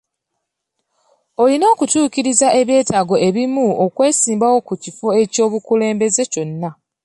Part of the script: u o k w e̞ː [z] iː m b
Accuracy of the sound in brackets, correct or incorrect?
incorrect: s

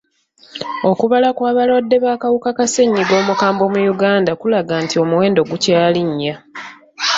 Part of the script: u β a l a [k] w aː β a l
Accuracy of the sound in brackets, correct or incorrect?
correct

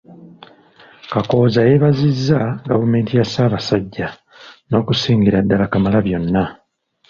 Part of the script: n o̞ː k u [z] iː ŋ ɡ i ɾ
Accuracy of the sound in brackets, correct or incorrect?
incorrect: s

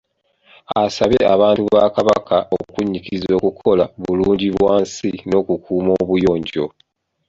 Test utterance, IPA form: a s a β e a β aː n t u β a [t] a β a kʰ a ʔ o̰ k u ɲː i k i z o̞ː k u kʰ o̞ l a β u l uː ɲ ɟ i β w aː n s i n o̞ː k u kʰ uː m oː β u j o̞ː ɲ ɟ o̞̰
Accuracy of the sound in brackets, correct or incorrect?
incorrect: k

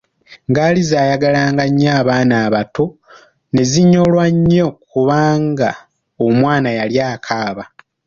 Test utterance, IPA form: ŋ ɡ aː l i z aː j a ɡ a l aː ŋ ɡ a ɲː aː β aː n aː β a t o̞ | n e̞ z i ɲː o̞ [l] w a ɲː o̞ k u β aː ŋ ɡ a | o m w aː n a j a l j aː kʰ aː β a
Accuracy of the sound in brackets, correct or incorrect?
correct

